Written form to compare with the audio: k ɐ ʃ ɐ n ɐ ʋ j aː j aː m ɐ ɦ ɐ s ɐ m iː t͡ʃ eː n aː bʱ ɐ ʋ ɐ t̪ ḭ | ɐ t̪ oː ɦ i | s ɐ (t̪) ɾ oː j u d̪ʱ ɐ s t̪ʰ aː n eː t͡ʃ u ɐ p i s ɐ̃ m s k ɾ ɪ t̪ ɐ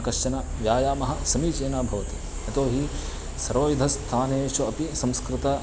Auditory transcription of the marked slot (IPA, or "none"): none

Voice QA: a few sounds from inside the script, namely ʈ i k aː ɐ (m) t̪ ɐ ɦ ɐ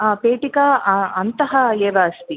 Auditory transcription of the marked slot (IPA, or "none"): n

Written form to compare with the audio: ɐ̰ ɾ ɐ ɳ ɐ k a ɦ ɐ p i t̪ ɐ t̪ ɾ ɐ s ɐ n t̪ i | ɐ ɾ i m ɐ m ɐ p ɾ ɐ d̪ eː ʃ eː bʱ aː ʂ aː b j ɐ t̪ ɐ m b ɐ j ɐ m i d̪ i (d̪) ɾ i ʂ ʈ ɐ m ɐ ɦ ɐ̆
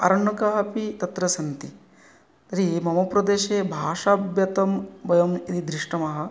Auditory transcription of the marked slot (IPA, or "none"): d̪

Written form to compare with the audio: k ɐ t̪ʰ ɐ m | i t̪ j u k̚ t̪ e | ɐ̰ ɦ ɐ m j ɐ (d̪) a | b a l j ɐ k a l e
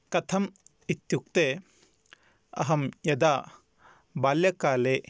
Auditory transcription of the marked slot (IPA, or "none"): d̪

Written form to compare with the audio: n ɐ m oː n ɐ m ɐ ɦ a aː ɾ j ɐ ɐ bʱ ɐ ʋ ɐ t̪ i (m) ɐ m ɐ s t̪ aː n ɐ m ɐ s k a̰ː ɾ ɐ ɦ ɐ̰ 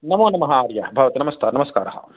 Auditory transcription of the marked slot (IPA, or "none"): n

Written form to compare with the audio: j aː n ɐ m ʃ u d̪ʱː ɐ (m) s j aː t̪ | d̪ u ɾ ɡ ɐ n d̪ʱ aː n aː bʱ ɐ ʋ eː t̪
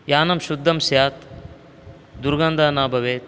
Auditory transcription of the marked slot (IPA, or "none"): m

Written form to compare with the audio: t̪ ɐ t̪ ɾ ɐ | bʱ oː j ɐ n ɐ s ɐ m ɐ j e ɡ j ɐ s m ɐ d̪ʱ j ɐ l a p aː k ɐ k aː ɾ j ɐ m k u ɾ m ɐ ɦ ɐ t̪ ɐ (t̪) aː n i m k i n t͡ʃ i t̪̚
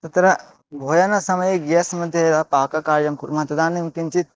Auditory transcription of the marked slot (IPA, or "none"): d̪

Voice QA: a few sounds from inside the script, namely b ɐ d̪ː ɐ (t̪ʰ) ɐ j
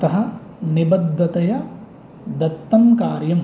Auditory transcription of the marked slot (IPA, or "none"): t̪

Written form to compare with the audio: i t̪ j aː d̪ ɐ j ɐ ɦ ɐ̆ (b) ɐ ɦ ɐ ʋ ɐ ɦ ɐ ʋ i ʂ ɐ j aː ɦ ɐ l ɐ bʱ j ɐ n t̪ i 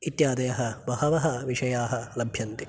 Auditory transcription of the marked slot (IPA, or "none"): b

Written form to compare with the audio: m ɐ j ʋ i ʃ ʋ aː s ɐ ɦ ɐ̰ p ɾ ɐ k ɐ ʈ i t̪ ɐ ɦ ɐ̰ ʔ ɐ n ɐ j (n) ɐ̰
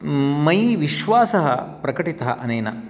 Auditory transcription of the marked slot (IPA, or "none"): n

